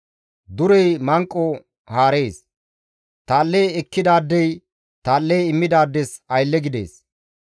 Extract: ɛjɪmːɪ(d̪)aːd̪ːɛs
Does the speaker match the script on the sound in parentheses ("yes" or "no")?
yes